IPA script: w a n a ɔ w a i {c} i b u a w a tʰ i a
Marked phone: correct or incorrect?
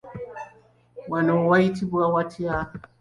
incorrect